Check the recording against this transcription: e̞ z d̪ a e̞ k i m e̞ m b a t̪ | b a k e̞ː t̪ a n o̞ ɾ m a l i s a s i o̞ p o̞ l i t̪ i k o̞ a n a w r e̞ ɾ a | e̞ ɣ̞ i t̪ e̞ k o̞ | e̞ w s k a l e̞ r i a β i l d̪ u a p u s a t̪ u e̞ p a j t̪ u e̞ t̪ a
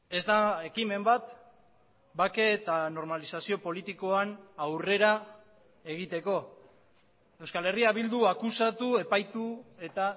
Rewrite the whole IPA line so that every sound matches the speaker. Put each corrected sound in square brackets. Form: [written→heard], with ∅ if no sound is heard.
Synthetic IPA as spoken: e̞ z d̪ a e̞ k i m e̞ m b a t̪ | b a k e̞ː t̪ a n o̞ ɾ m a l i s a s i o̞ p o̞ l i t̪ i k o̞ a n a w r e̞ ɾ a | e̞ ɣ̞ i t̪ e̞ k o̞ | e̞ w s k a l e̞ r i a β i l d̪ u a [p→k] u s a t̪ u e̞ p a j t̪ u e̞ t̪ a